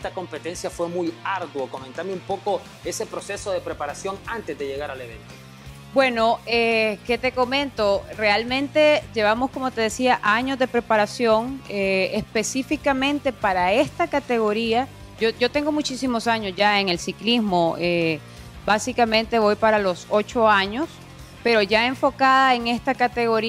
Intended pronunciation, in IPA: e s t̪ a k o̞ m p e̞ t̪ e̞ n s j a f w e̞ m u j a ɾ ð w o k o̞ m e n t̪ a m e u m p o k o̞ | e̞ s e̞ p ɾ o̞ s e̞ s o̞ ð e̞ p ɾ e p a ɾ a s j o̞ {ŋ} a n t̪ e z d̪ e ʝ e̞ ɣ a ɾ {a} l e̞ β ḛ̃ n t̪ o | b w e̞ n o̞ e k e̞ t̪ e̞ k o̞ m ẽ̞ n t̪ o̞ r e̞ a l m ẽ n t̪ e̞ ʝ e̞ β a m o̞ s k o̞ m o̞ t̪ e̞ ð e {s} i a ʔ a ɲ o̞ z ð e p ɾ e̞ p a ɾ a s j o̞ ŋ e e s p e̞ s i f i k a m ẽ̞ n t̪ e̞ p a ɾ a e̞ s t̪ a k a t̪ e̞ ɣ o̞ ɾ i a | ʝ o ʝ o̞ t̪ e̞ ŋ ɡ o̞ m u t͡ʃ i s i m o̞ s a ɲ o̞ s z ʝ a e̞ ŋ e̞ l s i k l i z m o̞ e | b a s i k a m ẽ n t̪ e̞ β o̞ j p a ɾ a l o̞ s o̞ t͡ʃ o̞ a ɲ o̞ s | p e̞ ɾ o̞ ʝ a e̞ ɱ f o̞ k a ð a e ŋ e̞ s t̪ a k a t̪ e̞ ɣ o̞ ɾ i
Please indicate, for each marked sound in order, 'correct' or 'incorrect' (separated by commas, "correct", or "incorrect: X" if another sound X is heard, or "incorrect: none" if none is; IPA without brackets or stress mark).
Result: correct, correct, correct